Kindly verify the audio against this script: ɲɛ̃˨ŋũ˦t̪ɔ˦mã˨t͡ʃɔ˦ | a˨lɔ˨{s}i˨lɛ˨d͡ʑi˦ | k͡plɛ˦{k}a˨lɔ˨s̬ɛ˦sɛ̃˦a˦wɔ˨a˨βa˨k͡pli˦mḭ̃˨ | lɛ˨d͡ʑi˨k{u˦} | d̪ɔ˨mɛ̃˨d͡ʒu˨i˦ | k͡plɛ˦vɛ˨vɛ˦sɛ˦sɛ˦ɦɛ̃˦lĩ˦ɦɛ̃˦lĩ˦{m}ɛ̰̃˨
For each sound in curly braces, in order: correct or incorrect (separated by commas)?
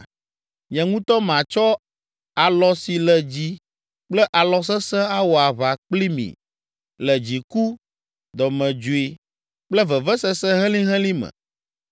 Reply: correct, incorrect, correct, correct